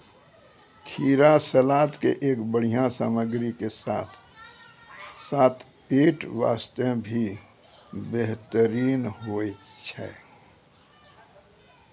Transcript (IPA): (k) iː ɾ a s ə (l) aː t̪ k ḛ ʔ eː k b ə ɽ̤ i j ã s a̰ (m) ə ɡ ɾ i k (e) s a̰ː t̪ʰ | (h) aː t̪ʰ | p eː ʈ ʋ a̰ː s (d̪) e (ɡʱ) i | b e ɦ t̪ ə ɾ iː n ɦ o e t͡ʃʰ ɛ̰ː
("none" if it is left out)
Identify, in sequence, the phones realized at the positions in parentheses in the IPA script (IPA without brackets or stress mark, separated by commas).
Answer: kʰ, l, m, e, s, t̪, bʱ